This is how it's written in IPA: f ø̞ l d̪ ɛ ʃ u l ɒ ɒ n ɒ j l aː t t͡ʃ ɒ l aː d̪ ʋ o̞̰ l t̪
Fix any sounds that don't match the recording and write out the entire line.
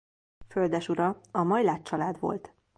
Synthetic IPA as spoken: f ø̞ l d̪ ɛ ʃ u ɾ ɒ ɒ m ɒ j l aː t t͡ʃ ɒ l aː d̪ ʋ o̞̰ l t̪